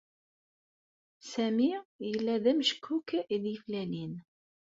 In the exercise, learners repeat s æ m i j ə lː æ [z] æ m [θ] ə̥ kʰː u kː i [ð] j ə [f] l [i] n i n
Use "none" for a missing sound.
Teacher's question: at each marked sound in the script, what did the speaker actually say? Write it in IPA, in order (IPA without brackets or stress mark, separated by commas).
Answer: ð, ʃ, ð, f, æ